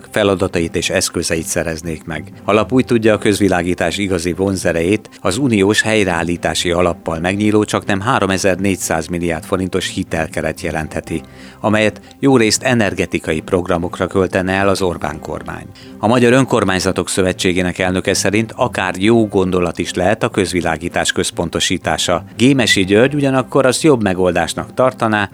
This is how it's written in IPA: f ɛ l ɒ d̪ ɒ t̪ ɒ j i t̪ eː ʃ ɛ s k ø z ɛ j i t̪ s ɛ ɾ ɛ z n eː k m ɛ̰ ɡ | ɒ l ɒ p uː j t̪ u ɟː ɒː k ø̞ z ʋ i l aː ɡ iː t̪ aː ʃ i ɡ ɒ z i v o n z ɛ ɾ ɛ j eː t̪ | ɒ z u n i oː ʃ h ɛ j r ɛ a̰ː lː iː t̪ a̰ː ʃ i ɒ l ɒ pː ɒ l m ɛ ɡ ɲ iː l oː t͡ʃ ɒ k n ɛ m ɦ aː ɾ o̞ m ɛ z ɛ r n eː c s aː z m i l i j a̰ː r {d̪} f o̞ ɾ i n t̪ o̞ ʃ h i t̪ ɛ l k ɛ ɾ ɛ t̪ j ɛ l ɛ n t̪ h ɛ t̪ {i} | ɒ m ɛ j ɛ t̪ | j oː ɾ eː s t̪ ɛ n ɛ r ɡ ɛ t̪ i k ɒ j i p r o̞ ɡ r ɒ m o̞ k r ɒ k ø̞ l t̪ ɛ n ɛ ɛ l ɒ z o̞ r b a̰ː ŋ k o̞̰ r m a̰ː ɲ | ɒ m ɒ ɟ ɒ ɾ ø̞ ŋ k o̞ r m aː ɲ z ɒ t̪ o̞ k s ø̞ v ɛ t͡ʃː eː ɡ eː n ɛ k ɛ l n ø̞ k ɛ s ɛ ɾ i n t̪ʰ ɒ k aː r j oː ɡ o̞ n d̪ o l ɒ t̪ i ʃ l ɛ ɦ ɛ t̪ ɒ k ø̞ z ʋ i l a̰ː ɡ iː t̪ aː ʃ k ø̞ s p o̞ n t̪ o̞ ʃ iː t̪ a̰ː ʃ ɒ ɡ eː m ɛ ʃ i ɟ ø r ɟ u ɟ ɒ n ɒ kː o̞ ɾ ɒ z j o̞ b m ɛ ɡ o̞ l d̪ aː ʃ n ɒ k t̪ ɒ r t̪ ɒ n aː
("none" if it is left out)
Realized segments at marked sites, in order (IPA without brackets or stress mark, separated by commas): t̪, i